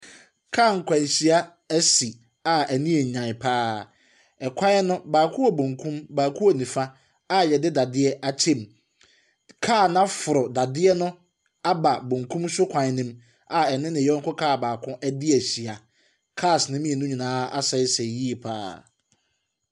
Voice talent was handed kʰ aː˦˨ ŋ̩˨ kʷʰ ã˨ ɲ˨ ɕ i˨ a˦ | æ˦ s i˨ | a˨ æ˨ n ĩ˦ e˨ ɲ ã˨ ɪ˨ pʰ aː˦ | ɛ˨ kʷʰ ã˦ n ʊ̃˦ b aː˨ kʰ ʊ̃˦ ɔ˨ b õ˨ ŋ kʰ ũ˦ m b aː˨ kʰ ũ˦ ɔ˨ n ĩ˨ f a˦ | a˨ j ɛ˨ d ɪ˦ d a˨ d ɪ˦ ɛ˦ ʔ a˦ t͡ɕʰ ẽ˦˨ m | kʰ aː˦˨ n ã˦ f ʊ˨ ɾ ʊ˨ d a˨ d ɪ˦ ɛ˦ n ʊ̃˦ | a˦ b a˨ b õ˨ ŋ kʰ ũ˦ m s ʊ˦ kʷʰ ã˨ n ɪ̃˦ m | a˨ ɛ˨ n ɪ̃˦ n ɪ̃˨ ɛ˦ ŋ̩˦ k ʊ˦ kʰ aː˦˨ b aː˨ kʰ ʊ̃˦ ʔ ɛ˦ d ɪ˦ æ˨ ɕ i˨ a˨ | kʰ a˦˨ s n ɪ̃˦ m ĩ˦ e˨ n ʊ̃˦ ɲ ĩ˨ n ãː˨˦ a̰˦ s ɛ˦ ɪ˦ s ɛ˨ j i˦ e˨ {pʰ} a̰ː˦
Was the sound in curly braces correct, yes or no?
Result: yes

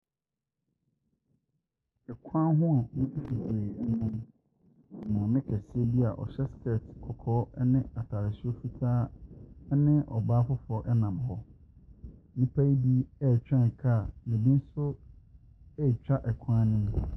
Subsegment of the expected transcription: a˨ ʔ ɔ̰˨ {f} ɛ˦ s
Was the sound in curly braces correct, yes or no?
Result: no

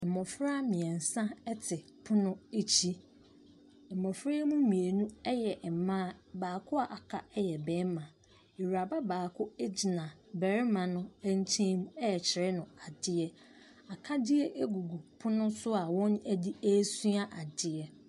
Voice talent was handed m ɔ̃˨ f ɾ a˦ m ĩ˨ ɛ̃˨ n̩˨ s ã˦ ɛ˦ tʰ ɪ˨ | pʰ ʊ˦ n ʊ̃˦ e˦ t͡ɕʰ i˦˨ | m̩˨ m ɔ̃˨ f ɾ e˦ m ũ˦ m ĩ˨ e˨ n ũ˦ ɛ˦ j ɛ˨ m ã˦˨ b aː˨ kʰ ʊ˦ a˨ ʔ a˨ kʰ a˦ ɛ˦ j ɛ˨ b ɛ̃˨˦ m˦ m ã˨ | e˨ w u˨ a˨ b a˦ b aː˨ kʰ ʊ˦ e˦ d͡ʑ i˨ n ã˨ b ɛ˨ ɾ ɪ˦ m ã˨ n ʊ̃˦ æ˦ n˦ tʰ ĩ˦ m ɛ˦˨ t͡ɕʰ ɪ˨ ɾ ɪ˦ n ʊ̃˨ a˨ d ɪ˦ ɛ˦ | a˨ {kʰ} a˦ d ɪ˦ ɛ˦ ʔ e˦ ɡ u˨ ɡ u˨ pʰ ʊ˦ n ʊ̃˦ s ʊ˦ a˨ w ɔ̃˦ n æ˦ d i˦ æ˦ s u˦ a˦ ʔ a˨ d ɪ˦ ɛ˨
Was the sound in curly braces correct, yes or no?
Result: yes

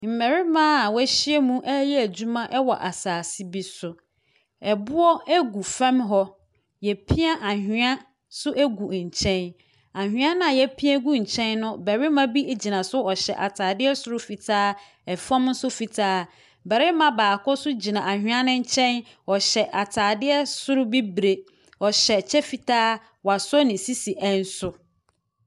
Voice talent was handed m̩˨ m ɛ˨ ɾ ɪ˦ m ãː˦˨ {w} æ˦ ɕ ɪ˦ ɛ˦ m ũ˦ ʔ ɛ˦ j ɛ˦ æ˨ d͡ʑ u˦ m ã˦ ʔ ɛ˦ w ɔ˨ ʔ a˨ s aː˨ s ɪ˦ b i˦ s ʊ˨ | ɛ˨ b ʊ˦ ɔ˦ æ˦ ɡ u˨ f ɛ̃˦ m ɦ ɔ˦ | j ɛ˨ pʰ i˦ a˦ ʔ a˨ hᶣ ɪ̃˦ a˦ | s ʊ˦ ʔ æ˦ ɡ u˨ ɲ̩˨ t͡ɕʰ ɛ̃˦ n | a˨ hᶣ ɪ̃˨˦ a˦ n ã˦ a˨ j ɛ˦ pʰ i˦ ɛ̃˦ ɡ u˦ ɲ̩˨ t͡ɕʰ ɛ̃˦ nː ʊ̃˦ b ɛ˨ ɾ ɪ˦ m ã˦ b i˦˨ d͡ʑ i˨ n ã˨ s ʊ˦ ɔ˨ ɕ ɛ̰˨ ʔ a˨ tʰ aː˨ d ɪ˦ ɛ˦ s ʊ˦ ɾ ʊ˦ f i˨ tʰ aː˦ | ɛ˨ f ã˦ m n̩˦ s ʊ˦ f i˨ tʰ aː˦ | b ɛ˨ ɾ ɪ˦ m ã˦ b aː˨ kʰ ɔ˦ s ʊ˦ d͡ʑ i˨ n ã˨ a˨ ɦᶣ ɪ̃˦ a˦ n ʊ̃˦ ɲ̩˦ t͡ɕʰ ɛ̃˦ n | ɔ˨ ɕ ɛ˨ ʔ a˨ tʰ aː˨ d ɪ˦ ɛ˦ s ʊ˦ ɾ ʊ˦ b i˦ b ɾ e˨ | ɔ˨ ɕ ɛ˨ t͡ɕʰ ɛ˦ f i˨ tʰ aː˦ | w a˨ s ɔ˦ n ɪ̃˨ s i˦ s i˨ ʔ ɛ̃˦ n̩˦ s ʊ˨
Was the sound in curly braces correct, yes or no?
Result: yes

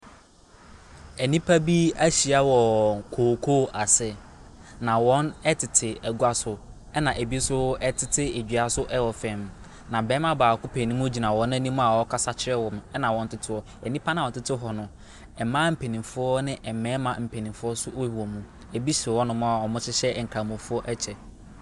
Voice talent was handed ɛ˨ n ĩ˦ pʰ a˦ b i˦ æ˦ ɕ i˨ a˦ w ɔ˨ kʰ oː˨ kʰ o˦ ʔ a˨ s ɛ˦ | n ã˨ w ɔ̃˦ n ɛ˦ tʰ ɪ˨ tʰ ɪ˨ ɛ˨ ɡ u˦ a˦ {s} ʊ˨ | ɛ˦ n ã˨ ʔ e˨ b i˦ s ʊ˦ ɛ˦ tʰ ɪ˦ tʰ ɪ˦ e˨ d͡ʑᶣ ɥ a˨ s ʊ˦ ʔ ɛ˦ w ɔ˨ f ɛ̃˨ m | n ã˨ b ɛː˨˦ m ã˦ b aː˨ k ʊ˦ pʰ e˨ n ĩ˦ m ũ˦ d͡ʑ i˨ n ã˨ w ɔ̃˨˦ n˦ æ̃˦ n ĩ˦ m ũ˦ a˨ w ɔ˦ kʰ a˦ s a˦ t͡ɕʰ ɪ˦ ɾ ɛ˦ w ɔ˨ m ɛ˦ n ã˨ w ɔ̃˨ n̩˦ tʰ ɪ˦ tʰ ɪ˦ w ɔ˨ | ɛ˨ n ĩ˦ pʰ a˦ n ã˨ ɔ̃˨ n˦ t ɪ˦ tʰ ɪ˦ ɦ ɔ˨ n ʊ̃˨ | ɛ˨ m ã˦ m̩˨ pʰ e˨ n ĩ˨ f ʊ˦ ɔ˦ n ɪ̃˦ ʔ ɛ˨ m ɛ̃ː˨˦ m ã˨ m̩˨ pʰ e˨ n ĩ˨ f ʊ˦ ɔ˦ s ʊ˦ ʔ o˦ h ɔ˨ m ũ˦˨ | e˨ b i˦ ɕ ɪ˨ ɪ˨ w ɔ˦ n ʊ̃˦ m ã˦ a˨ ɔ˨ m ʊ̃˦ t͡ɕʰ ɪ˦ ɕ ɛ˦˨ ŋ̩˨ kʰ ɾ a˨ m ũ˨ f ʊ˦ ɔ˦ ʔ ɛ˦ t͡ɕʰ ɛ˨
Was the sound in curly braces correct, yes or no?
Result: yes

